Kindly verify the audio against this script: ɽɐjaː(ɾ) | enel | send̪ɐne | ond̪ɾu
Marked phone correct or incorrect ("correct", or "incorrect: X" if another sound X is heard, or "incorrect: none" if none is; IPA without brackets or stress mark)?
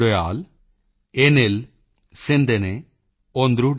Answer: incorrect: l